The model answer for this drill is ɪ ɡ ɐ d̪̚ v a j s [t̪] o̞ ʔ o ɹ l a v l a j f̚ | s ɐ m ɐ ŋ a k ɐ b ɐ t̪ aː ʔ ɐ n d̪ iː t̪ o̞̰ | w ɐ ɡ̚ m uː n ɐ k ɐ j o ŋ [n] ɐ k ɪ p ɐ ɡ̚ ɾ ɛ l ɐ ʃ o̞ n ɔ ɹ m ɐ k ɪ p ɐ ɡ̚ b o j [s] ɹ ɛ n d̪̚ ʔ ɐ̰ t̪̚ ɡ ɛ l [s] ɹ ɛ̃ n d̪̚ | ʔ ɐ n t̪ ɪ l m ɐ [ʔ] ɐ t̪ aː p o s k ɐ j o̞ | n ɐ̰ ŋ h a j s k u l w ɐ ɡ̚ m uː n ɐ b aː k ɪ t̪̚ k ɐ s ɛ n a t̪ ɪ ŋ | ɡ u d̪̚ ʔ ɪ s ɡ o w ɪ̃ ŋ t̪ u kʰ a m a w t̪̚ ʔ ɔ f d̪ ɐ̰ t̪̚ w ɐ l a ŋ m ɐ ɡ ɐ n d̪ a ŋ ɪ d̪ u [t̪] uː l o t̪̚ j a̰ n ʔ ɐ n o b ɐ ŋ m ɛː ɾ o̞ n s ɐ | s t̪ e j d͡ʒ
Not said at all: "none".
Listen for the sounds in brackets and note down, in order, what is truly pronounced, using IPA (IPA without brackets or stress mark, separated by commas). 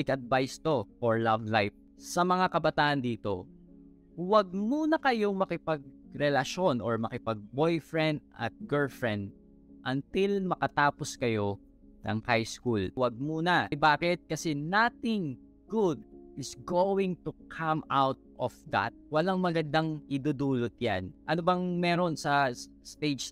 t̪, m, f, f, k, d̪